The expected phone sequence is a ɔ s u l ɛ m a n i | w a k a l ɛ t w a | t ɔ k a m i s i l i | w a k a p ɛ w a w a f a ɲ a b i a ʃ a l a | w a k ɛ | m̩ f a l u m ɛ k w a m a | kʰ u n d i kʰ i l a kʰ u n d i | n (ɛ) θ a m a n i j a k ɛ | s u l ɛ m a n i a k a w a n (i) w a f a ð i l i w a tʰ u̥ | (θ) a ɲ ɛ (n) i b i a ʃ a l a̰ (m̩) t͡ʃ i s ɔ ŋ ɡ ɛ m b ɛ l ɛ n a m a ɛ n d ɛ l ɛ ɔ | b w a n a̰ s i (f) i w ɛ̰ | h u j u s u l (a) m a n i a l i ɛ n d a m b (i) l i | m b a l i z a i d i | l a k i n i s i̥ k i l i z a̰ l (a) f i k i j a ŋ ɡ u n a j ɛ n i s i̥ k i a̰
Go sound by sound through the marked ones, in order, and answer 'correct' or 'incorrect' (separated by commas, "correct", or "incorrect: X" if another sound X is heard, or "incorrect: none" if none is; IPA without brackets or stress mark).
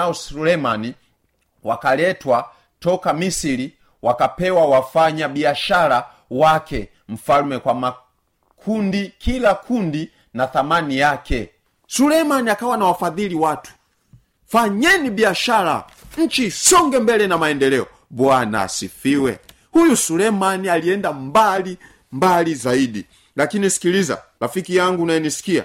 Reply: incorrect: a, incorrect: a, incorrect: f, correct, incorrect: ɲ̩, correct, incorrect: ɛ, incorrect: a, correct